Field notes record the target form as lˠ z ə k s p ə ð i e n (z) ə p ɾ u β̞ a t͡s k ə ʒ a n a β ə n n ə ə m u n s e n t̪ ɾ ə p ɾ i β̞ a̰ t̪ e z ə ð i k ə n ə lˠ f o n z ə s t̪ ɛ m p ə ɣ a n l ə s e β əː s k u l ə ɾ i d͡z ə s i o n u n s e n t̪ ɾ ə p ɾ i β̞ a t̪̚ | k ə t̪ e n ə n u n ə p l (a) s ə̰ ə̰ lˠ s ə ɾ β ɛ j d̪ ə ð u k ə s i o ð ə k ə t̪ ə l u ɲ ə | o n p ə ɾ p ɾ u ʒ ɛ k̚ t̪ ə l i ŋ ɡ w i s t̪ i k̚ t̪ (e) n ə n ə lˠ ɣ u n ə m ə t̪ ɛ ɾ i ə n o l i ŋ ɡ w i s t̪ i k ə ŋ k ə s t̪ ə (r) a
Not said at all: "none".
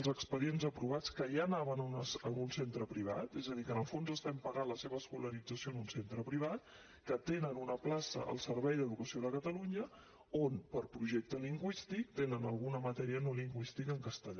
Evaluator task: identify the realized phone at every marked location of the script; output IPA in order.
z, a, e, ʎ

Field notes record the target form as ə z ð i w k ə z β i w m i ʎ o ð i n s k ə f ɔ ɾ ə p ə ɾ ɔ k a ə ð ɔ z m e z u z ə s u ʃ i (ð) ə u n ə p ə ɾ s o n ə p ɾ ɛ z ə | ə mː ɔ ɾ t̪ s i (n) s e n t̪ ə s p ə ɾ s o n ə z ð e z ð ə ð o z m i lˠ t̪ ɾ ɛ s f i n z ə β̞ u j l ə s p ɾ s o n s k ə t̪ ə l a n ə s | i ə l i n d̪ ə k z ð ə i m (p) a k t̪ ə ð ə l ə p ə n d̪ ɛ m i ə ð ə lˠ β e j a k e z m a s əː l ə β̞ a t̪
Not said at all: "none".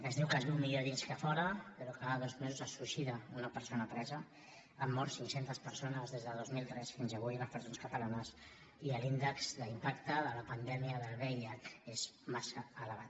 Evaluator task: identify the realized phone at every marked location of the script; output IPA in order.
ð, ŋ, p

